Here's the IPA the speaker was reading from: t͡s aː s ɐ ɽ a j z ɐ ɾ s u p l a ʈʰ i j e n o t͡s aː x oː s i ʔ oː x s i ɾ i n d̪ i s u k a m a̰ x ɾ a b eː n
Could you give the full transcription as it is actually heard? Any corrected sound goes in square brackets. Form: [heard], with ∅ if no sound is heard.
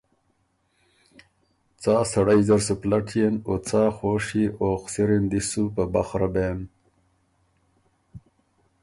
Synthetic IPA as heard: t͡s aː s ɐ ɽ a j z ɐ ɾ s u p l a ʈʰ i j e n o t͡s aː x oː [ʂ] i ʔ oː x s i ɾ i n d̪ i s u [p] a [b] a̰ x ɾ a b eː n

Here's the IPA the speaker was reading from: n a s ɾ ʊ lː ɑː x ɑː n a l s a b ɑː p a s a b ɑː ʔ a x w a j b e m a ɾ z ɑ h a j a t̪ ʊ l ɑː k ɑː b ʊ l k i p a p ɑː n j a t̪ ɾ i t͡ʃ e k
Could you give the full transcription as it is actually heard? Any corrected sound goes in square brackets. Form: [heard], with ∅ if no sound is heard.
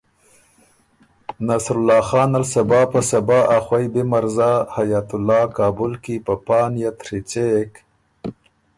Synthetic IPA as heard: n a s ɾ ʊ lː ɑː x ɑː n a l s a b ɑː p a s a b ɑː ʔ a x w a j b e m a ɾ z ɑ h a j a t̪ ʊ l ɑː k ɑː b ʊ l k i p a p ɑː n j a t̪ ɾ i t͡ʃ e k

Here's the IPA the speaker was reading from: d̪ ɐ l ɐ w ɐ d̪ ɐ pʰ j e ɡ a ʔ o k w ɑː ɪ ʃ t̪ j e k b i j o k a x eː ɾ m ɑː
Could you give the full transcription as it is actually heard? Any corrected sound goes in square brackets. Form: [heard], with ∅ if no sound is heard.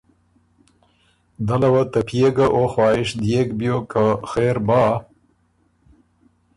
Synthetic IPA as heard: d̪ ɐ l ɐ w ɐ [t̪] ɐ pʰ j e ɡ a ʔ o [x] w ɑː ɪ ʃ [d̪] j e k b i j o k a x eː ɾ [b] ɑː

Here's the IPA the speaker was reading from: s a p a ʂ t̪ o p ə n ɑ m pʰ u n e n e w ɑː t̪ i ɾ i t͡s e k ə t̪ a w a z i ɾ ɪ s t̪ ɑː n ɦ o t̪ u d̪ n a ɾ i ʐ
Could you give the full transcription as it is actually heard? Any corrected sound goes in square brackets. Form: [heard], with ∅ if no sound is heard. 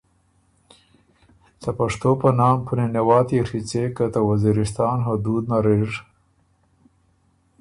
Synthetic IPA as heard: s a p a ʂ t̪ o p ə n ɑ m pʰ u n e n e w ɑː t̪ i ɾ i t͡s e k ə t̪ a w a z i ɾ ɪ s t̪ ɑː n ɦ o [d̪] u d̪ n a ɾ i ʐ

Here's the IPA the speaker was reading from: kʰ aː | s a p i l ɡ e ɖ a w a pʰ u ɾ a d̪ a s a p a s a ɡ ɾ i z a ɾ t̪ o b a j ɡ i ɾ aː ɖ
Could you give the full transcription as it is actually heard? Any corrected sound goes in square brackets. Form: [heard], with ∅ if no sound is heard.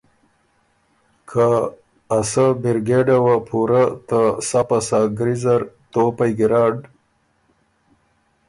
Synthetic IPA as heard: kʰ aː | s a [b] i [ɾ] ɡ e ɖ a w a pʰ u ɾ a [t̪] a s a p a s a ɡ ɾ i z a ɾ t̪ o [p] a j ɡ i ɾ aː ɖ

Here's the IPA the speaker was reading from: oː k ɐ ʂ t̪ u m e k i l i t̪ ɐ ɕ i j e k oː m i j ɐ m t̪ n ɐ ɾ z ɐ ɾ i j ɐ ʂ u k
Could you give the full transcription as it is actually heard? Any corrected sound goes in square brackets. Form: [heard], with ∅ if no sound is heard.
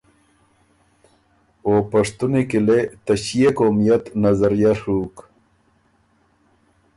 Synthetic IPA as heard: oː [p] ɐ ʂ t̪ u [n] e k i l [e] t̪ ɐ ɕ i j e k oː m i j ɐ [∅] t̪ n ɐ [∅] z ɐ ɾ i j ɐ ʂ u k

